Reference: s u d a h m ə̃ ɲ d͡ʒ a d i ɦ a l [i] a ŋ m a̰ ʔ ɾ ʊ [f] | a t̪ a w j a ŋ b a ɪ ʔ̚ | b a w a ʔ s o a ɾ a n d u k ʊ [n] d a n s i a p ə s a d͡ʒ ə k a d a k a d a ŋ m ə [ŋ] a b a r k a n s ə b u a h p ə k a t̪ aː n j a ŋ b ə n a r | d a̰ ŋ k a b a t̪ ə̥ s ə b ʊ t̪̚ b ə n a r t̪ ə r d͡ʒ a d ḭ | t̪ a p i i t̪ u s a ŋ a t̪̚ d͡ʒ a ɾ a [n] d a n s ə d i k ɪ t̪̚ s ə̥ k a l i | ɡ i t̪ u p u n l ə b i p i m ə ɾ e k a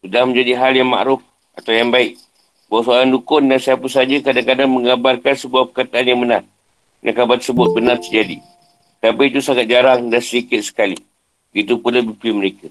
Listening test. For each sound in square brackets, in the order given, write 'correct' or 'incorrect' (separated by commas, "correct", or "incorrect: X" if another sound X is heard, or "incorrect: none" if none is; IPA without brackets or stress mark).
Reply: incorrect: j, correct, correct, correct, incorrect: ŋ